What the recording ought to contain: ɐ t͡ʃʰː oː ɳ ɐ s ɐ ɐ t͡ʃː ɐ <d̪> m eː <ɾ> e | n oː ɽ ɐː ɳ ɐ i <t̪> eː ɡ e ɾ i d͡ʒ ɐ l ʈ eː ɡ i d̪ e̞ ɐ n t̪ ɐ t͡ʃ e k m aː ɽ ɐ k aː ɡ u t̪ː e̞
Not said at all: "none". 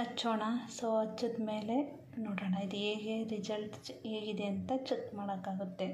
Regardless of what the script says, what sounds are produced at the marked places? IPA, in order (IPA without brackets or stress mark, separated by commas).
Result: d̪, l, d̪